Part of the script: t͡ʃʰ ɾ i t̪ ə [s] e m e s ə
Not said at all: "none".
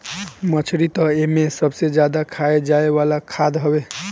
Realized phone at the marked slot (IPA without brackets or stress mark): none